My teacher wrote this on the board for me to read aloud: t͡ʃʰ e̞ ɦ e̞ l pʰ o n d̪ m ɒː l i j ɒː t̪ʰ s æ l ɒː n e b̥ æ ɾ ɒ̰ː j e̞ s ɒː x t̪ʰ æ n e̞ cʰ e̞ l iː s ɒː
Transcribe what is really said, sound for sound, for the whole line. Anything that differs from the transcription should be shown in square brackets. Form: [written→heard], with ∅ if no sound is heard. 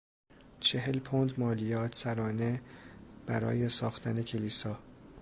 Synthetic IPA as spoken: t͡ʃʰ e̞ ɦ e̞ l pʰ o n d̪ m ɒː l i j ɒː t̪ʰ s æ [l→ɾ] ɒː n e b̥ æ ɾ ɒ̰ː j e̞ s ɒː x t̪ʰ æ n e̞ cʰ e̞ l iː s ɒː